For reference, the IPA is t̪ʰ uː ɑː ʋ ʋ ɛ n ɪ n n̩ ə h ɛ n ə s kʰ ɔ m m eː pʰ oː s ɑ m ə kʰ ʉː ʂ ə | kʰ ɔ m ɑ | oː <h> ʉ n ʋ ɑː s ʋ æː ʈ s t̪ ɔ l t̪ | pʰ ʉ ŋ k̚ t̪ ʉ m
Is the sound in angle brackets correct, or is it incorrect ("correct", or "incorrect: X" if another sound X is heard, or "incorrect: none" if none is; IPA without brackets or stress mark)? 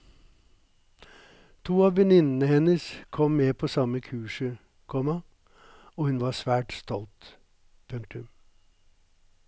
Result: correct